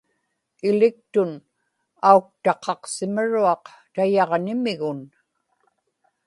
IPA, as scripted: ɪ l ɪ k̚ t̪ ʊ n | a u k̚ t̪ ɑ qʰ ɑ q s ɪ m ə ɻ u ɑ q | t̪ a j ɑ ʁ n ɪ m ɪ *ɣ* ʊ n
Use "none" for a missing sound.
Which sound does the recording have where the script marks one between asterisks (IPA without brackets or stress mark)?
ɣ